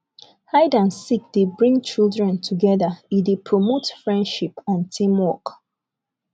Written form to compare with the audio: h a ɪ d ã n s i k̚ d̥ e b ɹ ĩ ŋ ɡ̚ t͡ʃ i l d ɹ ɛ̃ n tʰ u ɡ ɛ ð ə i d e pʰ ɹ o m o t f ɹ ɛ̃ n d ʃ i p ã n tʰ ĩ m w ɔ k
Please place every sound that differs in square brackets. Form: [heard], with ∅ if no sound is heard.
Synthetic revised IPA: h a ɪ d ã n s i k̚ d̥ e b ɹ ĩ ŋ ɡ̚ t͡ʃ i l d ɹ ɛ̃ n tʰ u ɡ ɛ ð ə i d e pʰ ɹ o m o t f ɹ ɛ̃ n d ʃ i p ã n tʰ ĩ m w ɔ k